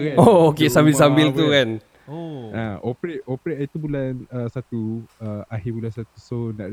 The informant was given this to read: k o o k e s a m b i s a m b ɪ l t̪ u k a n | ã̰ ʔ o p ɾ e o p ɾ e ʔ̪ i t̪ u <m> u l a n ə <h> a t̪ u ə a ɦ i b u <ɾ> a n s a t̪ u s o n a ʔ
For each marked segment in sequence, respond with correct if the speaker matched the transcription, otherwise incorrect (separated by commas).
incorrect, incorrect, incorrect